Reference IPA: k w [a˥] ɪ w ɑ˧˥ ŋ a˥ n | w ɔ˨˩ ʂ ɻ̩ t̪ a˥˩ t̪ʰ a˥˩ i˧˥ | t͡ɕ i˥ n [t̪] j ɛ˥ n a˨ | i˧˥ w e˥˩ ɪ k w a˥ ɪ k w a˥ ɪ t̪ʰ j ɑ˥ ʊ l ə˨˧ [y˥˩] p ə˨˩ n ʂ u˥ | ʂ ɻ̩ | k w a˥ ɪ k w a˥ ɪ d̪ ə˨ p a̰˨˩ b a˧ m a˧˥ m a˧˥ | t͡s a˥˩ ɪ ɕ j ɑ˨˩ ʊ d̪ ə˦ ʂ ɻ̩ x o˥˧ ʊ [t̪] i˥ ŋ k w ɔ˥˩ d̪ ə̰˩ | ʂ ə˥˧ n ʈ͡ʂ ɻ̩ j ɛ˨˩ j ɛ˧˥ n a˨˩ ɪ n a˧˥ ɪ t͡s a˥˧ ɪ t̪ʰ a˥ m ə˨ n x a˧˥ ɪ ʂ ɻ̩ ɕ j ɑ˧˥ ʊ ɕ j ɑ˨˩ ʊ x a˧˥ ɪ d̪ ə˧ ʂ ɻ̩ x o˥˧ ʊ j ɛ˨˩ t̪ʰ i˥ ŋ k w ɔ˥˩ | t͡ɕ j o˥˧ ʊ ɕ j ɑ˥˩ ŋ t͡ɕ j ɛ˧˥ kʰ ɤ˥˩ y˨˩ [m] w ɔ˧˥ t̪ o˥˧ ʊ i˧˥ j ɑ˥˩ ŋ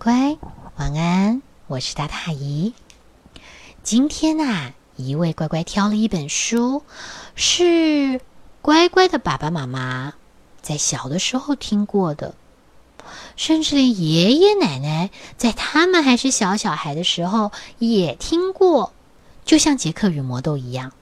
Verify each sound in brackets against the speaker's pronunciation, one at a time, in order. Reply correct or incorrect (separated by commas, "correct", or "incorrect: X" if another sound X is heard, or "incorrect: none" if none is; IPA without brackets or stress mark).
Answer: correct, incorrect: t̪ʰ, incorrect: i˥˩, incorrect: t̪ʰ, correct